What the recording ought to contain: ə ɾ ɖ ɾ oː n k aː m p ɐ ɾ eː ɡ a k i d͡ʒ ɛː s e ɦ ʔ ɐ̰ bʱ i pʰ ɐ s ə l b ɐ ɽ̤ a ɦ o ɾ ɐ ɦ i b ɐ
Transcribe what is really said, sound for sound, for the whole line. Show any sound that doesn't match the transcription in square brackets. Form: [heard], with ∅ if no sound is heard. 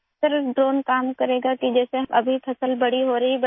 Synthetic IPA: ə ɾ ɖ ɾ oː n k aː m [k] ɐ ɾ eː ɡ a k i d͡ʒ ɛː s e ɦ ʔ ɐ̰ bʱ i pʰ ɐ s ə l b ɐ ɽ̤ [i] ɦ o ɾ ɐ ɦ i b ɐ

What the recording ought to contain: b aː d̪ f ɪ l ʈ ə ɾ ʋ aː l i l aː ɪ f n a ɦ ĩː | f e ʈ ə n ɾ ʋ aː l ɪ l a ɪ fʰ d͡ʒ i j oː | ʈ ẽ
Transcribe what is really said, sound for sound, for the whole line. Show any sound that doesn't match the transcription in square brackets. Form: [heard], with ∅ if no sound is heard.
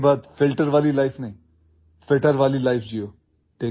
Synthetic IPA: b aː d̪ f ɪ l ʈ ə ɾ ʋ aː l i l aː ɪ f n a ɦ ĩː | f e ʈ ə [∅] ɾ ʋ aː l [i] l a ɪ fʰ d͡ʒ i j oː | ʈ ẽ

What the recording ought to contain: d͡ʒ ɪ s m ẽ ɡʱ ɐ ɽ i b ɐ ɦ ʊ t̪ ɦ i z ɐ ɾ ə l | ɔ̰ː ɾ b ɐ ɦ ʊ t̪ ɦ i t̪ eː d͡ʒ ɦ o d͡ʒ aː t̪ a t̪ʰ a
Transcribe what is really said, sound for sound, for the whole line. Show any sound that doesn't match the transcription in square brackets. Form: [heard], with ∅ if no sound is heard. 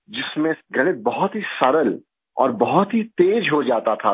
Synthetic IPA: d͡ʒ ɪ s m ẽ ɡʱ ɐ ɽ [e] b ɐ ɦ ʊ t̪ ɦ i [s] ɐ ɾ ə l | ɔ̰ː ɾ b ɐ ɦ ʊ t̪ ɦ i t̪ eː d͡ʒ ɦ o d͡ʒ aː t̪ a t̪ʰ a

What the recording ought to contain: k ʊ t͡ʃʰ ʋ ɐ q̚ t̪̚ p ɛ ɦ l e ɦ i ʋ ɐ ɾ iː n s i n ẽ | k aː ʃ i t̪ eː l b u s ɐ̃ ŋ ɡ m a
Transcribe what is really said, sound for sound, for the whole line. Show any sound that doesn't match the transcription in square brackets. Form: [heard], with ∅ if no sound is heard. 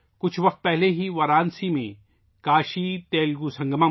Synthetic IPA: k ʊ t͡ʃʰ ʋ ɐ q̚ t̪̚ p ɛ ɦ l e ɦ i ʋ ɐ ɾ [aː] n s i [m] ẽ | k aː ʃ i t̪ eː l [ɡ] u s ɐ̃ ŋ ɡ m a

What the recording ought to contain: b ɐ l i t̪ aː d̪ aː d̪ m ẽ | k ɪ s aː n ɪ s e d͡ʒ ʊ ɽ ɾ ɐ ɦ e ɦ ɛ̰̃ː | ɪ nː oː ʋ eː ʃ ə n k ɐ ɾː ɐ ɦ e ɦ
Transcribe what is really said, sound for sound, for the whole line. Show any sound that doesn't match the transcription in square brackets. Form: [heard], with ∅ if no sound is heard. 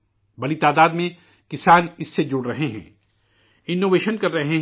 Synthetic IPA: b ɐ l i t̪ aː d̪ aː d̪ m ẽ | k ɪ s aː n ɪ [sː] e d͡ʒ ʊ ɽ ɾ ɐ ɦ e ɦ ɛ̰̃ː | ɪ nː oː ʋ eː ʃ ə n k ɐ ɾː ɐ ɦ e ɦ

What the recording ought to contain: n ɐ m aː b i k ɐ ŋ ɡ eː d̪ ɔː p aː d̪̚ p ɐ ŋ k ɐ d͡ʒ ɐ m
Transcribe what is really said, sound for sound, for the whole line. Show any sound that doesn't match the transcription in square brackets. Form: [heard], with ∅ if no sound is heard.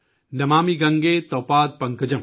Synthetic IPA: n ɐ m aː [m] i [ɡ] ɐ ŋ ɡ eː [t̪] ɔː p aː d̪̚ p ɐ ŋ k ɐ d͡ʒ ɐ m

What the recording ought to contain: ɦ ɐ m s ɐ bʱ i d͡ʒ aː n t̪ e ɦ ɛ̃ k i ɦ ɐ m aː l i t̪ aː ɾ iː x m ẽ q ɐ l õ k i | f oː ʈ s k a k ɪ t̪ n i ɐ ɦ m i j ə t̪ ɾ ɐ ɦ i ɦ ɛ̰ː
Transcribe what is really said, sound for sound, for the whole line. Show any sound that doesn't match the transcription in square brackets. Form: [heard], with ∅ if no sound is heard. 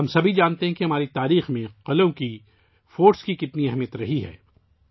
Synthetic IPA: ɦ ɐ m s ɐ bʱ i d͡ʒ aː n t̪ e ɦ ɛ̃ k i ɦ ɐ m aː [ɾ] i t̪ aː ɾ iː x m ẽ q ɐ l õ k i | f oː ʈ s k [i] k ɪ t̪ n i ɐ ɦ m i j ə t̪ ɾ ɐ ɦ i ɦ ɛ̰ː

